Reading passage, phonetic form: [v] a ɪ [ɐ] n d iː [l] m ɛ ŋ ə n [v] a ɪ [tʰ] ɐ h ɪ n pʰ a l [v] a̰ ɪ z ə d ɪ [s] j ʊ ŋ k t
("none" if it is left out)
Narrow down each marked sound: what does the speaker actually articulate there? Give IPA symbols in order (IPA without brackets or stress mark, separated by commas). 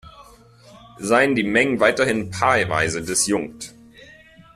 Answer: z, ə, none, v, t, v, s